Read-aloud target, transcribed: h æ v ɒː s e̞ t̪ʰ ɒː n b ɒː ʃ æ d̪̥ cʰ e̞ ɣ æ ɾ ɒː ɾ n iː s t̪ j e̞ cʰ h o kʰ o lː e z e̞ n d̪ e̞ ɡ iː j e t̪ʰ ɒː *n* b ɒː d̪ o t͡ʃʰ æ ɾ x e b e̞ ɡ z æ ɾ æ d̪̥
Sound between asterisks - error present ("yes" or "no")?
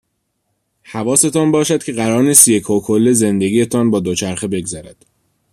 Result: no